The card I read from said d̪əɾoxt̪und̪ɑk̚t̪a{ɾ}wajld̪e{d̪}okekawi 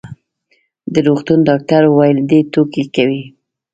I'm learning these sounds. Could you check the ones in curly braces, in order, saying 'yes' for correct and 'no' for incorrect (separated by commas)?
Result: yes, no